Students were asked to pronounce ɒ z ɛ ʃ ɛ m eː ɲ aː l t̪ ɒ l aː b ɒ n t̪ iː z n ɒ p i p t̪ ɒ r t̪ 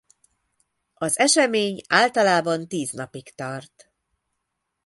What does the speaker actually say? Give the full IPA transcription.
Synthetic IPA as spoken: ɒ z ɛ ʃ ɛ m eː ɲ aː l t̪ ɒ l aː b ɒ n t̪ iː z n ɒ p i k t̪ ɒ r t̪